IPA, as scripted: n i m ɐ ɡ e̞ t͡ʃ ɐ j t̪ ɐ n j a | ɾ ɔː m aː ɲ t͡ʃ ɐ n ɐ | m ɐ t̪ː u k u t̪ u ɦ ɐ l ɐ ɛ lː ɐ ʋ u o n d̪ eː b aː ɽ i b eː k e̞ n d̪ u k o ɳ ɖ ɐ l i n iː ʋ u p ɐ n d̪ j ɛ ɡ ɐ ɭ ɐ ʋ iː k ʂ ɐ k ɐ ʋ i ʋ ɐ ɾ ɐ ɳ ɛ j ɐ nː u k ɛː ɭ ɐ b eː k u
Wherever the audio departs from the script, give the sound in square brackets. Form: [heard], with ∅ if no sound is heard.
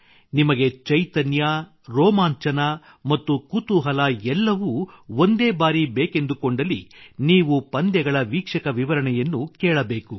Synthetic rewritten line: n i m ɐ ɡ e̞ t͡ʃ ɐ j t̪ ɐ n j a | ɾ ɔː m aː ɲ t͡ʃ ɐ n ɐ | m ɐ t̪ː u k u t̪ u ɦ ɐ l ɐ ɛ lː ɐ ʋ u o n d̪ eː b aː [ɾ] i b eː k e̞ n d̪ u k o ɳ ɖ ɐ l i n iː ʋ u p ɐ n d̪ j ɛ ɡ ɐ ɭ ɐ ʋ iː k ʂ ɐ k ɐ ʋ i ʋ ɐ ɾ ɐ ɳ ɛ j ɐ nː u k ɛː ɭ ɐ b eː k u